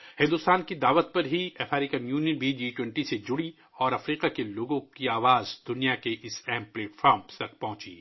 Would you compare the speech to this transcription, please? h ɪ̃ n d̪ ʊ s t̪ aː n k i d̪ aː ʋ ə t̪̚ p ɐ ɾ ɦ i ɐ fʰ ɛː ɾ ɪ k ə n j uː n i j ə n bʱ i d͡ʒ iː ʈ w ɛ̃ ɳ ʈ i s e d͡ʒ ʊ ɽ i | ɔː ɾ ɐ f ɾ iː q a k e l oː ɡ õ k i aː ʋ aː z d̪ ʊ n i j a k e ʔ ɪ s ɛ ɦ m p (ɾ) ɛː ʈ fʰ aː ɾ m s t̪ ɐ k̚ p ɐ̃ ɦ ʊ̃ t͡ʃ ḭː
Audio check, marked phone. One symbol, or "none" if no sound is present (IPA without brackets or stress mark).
l